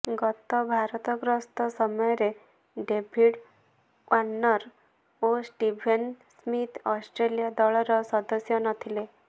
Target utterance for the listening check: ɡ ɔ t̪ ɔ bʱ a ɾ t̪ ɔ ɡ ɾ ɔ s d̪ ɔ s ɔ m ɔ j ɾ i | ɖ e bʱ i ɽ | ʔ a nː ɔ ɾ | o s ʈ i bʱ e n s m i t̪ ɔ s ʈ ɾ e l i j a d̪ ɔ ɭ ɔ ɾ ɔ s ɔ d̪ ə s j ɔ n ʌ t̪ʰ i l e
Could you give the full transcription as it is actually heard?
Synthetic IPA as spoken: ɡ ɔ t̪ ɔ bʱ a ɾ t̪ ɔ ɡ ɾ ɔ s t̪ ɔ s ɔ m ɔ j ɾ e | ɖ e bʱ i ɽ | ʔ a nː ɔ ɾ | o s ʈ i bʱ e n s m i t̪ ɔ s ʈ ɾ e l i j a d̪ ɔ ɭ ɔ ɾ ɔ s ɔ d̪ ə s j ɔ n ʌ t̪ʰ i l e

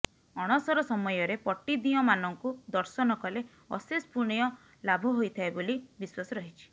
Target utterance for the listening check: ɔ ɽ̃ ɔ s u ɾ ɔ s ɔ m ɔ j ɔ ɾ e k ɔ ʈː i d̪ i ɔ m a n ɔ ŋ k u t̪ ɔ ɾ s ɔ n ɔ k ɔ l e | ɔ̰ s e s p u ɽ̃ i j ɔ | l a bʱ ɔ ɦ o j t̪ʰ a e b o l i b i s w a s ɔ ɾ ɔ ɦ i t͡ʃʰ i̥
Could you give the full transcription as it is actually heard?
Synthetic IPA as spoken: ɔ ɽ̃ ɔ s ɔ ɾ ɔ s ɔ m ɔ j ɔ ɾ e p ɔ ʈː i d̪ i ɔ m a n ɔ ŋ k u d̪ ɔ ɾ s ɔ n ɔ k ɔ l e | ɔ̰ s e s p u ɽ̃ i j ɔ | l a bʱ ɔ ɦ o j t̪ʰ a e b o l i b i s w a s ɔ ɾ ɔ ɦ i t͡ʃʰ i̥

